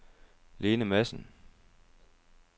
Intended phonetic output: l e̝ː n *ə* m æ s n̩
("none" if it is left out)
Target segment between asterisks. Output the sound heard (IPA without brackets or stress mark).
ə